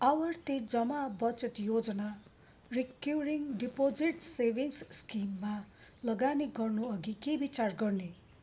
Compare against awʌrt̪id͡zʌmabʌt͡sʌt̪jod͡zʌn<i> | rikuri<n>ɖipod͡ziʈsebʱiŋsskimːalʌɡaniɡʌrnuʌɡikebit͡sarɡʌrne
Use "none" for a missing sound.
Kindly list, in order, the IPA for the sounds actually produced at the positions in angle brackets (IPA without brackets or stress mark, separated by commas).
a, ŋ